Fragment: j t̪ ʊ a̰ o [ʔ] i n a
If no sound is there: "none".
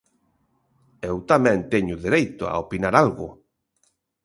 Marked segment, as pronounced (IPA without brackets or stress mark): p